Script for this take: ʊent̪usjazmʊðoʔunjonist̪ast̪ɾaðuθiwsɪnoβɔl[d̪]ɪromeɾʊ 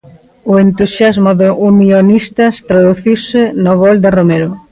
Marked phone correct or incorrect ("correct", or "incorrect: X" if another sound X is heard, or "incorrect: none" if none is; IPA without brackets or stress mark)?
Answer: correct